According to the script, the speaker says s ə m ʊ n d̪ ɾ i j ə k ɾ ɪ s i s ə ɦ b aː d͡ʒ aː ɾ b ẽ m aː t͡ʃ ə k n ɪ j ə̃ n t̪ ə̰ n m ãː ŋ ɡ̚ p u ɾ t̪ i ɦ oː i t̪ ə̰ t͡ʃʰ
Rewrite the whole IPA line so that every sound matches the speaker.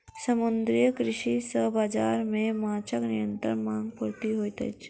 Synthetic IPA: s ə m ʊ n d̪ ɾ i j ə k ɾ ɪ ʃ i s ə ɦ b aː d͡ʒ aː ɾ m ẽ m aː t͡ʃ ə k n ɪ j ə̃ n t̪ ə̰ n m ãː ŋ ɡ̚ p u ɾ t̪ i ɦ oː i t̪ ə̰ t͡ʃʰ